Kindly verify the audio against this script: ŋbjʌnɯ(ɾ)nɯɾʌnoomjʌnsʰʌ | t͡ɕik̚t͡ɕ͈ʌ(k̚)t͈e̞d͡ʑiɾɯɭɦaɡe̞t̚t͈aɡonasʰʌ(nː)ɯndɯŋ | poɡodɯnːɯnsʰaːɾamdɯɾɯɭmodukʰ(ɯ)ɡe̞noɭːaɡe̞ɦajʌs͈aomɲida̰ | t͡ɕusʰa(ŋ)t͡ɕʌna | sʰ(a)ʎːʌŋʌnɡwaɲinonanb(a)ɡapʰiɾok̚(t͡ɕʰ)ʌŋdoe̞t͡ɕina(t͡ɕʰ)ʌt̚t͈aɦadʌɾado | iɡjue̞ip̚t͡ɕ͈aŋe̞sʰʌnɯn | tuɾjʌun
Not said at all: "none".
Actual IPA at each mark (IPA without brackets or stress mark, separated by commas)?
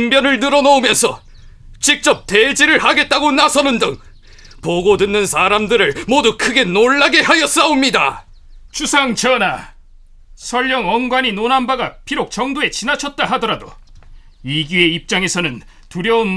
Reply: ɭ, p̚, n, ɯ, ŋ, ʌ, a, t͡ɕ, t͡ɕʰ